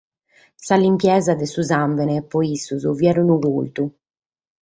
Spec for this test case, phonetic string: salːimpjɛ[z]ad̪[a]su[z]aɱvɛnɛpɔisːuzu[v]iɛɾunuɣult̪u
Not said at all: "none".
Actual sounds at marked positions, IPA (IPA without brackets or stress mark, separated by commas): z, ɛ, z, v